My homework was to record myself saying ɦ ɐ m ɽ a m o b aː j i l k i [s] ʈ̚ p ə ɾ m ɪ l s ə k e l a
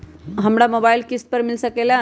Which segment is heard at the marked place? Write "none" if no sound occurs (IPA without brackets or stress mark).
s